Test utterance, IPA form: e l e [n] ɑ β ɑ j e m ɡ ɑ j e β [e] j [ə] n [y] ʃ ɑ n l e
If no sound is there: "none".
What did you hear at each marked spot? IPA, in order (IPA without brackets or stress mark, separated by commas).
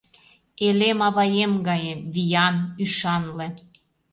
m, i, ɑ, y